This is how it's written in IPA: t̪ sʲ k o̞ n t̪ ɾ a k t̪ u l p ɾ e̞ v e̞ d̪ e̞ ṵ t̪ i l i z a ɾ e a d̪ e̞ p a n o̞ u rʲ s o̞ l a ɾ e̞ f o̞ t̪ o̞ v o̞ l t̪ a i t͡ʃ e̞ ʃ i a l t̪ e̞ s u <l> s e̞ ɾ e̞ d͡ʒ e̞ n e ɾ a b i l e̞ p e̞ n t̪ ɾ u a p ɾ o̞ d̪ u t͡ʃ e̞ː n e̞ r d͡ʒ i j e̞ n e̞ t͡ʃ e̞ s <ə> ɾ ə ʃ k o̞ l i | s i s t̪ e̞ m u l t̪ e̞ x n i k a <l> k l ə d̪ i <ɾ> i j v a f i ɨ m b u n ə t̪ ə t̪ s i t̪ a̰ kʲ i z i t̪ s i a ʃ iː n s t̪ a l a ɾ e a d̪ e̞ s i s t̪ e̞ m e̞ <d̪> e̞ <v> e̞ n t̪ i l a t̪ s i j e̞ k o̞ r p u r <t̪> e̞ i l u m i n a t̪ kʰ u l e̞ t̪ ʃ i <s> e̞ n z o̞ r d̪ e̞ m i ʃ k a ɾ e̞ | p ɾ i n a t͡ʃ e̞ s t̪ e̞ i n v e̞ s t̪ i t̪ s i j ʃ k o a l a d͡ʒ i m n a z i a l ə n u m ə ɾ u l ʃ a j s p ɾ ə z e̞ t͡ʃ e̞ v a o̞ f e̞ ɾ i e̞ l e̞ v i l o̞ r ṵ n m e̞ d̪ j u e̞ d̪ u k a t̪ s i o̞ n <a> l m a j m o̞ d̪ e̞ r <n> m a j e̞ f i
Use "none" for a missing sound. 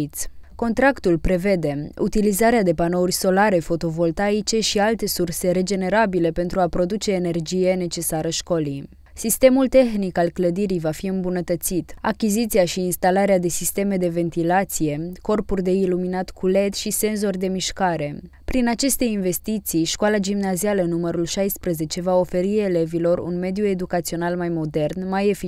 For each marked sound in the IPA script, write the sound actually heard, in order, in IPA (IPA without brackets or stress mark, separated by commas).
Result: r, a, l, ɾ, d̪, v, d̪, s, a, n